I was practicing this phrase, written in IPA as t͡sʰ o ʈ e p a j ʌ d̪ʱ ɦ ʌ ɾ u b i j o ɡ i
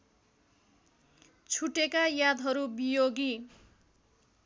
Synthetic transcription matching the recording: t͡sʰ u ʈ e k a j a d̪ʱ ɦ ʌ ɾ u b i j o ɡ i